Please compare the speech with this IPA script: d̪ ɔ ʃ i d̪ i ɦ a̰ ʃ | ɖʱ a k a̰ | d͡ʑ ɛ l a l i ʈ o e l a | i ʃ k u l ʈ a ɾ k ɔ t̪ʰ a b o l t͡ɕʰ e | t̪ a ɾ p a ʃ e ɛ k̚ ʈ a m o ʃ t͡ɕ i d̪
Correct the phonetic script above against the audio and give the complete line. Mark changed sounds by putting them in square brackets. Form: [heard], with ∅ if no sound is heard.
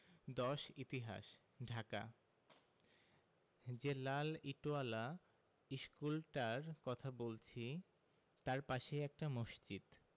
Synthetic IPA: d̪ ɔ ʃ i [t̪] i ɦ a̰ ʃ | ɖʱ a k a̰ | d͡ʑ [e] l a l i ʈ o [a] l a | i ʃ k u l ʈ a ɾ k ɔ t̪ʰ a b o l t͡ɕʰ [i] | t̪ a ɾ p a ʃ e ɛ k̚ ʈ a m o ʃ t͡ɕ i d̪